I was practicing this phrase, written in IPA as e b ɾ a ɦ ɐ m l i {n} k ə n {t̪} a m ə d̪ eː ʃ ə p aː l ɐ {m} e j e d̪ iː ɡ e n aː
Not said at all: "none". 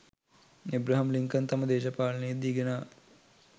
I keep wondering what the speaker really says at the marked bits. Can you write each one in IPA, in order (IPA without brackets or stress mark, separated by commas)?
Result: ŋ, t̪, n